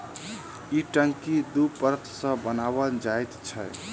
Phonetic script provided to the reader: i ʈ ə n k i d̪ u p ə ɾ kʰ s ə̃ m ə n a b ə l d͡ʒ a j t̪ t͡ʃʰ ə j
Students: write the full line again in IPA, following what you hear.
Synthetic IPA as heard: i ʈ ə ŋ k i d̪ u p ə ɾ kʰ s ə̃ b ə n a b ə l d͡ʒ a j t̪ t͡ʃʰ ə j